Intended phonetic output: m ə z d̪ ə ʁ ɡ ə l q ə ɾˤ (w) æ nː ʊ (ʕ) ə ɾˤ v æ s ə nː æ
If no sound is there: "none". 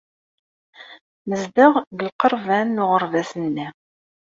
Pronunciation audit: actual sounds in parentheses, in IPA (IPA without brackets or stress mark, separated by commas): v, ʁ